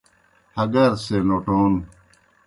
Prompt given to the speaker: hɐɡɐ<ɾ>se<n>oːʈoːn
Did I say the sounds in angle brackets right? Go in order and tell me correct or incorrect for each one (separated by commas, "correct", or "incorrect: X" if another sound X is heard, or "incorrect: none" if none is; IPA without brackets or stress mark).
correct, correct